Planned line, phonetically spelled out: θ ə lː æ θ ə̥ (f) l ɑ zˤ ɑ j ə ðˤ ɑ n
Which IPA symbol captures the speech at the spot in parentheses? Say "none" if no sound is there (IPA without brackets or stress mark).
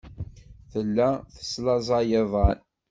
s